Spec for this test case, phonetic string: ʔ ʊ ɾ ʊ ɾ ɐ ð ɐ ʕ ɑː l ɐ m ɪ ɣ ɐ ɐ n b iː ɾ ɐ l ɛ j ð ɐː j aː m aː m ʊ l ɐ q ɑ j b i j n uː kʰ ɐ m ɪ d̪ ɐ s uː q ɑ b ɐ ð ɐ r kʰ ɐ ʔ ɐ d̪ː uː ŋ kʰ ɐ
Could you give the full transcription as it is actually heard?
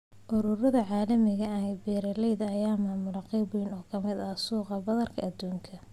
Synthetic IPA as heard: ʔ ʊ ɾ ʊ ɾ ɐ ð ɐ ʕ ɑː l ɐ m ɪ ɣ ɐ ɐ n b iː ɾ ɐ l ɛ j ð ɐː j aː m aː m ʊ l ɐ q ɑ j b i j n ɔː kʰ ɐ m ɪ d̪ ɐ s uː q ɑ b ɐ ð ɐ r kʰ ɐ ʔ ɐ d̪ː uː ŋ kʰ ɐ